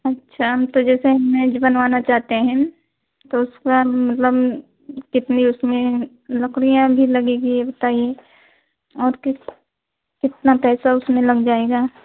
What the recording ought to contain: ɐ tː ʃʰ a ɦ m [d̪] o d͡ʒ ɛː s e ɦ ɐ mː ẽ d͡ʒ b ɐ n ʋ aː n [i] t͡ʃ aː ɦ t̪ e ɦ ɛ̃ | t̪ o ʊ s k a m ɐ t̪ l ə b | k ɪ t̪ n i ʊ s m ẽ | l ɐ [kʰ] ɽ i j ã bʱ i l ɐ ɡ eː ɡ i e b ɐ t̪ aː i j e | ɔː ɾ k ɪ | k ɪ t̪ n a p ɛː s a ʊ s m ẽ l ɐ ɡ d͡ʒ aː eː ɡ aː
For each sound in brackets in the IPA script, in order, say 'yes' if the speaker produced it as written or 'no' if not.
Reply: no, no, no

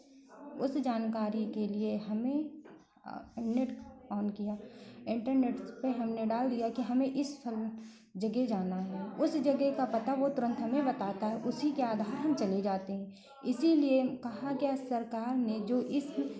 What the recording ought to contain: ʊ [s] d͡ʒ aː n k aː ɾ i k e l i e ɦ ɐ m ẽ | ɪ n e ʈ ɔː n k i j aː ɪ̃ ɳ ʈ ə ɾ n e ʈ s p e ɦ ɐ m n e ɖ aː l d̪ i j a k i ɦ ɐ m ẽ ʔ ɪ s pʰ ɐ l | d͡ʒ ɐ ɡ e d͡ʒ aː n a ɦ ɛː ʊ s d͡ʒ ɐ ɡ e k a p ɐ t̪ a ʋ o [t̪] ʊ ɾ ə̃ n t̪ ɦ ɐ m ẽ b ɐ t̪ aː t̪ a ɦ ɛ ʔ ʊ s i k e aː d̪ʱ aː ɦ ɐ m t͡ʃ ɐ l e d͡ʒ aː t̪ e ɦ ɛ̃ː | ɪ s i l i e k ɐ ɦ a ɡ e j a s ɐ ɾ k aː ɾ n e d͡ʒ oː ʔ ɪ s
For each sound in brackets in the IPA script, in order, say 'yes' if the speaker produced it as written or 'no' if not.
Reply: yes, yes

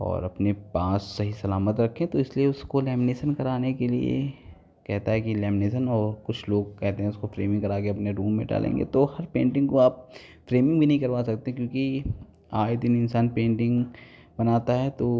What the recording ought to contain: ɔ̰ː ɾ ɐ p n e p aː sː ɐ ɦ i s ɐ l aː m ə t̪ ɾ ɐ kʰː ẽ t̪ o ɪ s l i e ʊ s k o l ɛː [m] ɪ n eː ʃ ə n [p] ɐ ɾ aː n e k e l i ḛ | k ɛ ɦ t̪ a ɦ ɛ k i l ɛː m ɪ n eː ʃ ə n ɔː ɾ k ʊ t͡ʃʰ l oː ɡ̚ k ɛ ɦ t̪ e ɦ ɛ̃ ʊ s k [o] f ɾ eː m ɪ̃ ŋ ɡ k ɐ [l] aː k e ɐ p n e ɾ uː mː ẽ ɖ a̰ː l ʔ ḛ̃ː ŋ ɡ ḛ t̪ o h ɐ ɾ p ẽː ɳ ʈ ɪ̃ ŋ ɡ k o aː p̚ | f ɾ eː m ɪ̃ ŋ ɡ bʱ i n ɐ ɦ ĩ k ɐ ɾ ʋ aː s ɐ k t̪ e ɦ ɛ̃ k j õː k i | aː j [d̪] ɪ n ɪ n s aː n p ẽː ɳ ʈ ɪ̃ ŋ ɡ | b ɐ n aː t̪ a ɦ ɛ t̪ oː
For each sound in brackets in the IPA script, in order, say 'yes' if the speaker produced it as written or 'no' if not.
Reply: yes, no, yes, no, yes

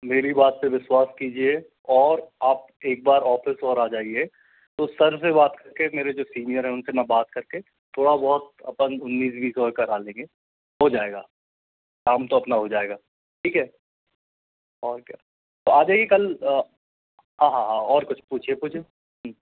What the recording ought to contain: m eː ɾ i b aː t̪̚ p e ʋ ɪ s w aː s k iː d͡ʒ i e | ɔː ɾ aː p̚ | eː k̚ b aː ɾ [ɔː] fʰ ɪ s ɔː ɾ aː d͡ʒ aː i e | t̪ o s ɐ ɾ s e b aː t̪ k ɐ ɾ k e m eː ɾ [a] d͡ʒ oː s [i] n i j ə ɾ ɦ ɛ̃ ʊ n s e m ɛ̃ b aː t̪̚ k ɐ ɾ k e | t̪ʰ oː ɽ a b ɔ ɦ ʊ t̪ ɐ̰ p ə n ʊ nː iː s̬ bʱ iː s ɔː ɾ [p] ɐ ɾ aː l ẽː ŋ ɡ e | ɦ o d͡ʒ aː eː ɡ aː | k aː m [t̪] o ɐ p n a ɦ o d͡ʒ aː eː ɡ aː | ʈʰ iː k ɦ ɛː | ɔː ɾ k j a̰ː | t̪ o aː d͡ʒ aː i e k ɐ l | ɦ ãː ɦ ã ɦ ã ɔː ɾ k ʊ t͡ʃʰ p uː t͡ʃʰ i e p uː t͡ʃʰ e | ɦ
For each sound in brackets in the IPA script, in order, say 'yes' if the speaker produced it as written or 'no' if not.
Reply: yes, no, no, no, yes

